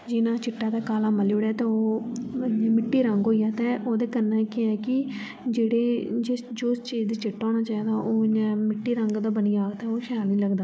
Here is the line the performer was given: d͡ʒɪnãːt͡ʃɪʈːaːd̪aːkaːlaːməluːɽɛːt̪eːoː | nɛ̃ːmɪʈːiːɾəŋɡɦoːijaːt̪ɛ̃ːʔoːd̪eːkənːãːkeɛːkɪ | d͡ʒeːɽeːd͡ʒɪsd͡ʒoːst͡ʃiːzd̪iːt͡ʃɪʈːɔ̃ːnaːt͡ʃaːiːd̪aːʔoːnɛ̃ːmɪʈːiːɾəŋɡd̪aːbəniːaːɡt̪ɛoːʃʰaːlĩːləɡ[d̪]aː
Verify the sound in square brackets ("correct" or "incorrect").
correct